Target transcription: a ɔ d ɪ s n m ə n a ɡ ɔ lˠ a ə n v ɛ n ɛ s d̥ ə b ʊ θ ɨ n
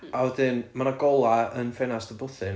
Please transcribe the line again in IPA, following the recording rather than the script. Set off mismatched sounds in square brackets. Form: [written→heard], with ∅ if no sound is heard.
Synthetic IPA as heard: a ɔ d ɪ [s→∅] n m [ə→a] n a ɡ ɔ lˠ a ə n [v→f] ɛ n [ɛ→a] s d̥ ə b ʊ θ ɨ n